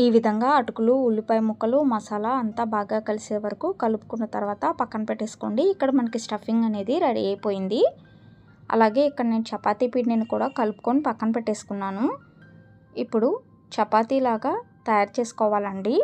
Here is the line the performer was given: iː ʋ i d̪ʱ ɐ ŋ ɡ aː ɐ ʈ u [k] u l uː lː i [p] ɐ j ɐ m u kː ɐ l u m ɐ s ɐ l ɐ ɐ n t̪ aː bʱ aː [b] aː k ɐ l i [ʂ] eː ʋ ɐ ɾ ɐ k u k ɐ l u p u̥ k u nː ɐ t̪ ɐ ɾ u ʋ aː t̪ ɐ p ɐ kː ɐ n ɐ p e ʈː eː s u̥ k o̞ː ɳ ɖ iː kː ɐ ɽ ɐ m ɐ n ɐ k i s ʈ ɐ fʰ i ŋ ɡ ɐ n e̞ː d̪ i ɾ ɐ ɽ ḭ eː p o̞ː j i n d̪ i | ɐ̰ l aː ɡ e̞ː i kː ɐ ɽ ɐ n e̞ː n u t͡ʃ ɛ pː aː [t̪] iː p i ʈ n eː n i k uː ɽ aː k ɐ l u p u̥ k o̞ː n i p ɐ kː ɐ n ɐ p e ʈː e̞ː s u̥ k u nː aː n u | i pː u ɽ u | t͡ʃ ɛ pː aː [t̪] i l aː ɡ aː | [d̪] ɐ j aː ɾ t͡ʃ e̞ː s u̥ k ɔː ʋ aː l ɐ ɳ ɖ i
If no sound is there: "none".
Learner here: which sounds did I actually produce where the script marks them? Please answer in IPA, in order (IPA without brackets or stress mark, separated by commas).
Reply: k, p, ɡ, s, t̪, t̪, t̪